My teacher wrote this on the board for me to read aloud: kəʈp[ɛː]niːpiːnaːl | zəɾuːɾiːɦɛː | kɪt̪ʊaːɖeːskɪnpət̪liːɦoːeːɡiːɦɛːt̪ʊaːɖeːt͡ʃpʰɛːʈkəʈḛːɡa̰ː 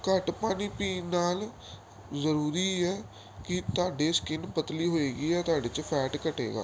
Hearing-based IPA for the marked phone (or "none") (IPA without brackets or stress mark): aː